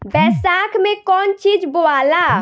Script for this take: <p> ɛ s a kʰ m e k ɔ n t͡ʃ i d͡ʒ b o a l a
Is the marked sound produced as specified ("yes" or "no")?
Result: no